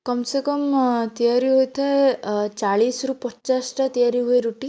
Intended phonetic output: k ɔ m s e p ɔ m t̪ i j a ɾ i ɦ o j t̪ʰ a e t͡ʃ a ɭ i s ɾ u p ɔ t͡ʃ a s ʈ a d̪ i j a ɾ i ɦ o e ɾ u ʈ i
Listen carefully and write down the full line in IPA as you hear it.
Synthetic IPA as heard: k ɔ m s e k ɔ m t̪ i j a ɾ i ɦ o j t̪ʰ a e t͡ʃ a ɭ i s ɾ u p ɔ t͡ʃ a s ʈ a t̪ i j a ɾ i ɦ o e ɾ u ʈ i